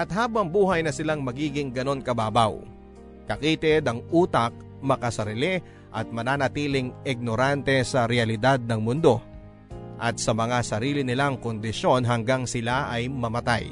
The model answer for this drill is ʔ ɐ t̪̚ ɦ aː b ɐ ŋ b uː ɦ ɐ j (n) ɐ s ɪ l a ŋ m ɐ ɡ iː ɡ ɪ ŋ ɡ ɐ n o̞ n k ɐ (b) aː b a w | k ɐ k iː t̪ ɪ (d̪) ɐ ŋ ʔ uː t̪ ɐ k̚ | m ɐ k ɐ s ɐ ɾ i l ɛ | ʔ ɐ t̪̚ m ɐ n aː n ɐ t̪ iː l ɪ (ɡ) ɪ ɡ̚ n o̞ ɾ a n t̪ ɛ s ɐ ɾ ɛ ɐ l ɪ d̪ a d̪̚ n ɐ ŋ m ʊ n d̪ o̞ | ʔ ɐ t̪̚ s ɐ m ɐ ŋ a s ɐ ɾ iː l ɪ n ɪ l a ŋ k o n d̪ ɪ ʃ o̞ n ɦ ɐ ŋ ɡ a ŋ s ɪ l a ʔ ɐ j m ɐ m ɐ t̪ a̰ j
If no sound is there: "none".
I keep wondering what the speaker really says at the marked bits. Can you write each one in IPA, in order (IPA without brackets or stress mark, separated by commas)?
n, b, d̪, ŋ